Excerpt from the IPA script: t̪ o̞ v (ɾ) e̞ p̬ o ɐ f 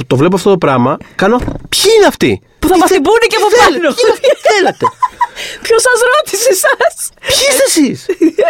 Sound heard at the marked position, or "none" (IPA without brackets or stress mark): l